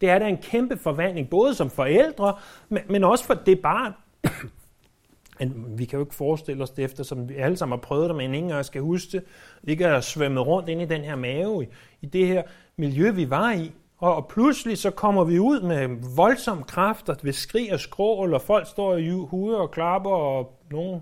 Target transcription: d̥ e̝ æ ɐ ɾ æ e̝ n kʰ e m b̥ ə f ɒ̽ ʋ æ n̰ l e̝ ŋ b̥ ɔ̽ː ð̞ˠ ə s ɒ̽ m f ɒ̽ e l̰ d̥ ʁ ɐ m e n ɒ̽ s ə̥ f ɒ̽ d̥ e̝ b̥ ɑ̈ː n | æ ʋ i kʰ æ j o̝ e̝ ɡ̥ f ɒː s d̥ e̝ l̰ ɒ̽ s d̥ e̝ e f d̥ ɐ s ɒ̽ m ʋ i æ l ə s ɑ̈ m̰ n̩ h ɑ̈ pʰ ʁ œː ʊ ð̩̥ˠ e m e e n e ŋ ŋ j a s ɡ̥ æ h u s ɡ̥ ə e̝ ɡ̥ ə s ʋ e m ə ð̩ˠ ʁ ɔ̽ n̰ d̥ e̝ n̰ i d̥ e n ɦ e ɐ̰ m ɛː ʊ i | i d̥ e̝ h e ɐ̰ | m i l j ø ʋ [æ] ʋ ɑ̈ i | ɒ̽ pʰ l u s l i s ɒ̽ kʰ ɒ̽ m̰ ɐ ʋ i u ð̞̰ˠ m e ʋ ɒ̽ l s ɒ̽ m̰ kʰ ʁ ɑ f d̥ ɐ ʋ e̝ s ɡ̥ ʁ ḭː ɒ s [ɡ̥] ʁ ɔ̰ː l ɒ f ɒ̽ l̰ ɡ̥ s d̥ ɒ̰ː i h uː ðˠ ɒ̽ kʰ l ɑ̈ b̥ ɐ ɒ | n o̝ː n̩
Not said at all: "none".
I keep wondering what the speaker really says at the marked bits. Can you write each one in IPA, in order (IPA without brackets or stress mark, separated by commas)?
i, ɡ̥